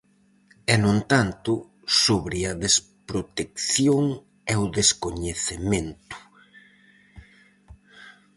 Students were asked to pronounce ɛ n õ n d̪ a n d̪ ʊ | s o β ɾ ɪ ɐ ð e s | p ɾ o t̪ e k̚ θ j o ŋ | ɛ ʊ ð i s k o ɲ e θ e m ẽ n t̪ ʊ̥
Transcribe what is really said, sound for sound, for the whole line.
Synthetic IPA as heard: ɛ n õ n t̪ a n t̪ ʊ | s o β ɾ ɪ ɐ ð e s | p ɾ o t̪ e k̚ θ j o ŋ | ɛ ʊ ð e s k o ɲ e θ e m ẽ n t̪ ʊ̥

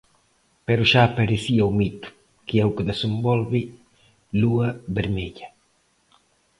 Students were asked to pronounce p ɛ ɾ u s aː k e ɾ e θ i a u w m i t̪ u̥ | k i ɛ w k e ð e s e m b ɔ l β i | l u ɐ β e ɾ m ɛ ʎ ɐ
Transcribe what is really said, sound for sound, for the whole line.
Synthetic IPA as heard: p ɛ ɾ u ʃ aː p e ɾ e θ i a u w m i t̪ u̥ | k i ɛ w k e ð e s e m b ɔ l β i | l u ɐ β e ɾ m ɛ ʎ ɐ

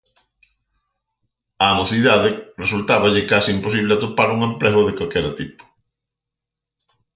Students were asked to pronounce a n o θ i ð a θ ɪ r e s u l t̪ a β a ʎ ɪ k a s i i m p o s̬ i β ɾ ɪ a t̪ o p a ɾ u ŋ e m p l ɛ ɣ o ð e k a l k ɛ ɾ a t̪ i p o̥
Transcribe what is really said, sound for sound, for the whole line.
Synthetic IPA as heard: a n o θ i ð a ð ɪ r e s u l t̪ a β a ʎ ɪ k a s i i m p o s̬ i β l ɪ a t̪ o p a ɾ u ŋ e m p l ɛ ɣ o ð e k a l k ɛ ɾ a t̪ i p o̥

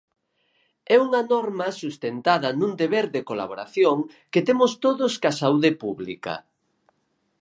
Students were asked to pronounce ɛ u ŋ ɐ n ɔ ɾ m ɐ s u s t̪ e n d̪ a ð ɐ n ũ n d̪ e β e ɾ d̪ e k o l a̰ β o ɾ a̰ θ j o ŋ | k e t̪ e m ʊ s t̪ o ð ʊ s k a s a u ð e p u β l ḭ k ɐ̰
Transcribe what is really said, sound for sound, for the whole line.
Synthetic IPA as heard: ɛ u ŋ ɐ n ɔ ɾ m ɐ s u s t̪ e n t̪ a ð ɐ n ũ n d̪ e β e ɾ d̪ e k o l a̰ β o ɾ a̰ θ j o ŋ | k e t̪ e m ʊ s t̪ o ð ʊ s k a s a u ð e p u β l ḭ k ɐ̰

